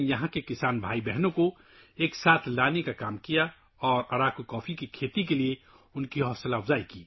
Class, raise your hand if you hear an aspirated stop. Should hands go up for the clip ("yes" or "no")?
yes